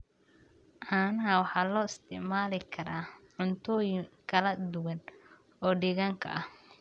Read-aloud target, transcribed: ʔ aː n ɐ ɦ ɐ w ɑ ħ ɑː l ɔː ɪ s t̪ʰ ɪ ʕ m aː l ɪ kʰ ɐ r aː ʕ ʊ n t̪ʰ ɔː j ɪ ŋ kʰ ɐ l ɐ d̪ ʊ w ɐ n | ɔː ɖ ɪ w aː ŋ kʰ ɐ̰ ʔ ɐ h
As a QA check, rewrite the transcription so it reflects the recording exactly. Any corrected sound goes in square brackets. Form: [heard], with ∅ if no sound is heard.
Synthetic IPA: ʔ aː n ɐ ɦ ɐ w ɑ ħ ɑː l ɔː ɪ s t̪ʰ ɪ ʕ m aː l ɪ kʰ ɐ [ɾ] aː ʕ ʊ n t̪ʰ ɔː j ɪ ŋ kʰ ɐ l ɐ d̪ ʊ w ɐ n | ɔː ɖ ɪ [ɣ] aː ŋ kʰ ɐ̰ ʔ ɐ h